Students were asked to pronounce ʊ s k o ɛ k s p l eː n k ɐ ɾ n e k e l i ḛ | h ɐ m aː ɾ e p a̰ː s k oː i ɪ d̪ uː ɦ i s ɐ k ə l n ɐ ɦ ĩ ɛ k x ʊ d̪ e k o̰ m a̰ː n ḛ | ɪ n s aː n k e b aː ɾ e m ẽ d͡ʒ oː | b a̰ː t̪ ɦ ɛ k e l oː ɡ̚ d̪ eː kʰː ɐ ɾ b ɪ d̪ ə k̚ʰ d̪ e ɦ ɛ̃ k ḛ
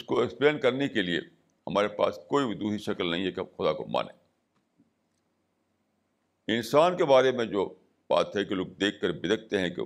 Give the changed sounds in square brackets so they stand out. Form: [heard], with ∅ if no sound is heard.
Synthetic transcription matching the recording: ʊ s k o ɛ k s p l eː n k ɐ ɾ n e k e l i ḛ | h ɐ m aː ɾ e p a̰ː s k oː i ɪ d̪ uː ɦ i [ʃ] ɐ k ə l n ɐ ɦ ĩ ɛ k x ʊ d̪ [a] k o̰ m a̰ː n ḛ | ɪ n s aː n k e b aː ɾ e m ẽ d͡ʒ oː | b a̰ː t̪ ɦ ɛ k e l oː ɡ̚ d̪ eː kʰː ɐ ɾ b ɪ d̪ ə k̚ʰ [t̪] e ɦ ɛ̃ k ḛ